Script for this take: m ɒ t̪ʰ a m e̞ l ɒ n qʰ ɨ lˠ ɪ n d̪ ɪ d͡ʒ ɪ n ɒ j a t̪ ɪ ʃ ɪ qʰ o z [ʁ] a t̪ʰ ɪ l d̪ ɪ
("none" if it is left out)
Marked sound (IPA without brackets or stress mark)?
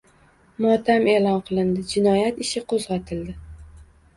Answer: ʁ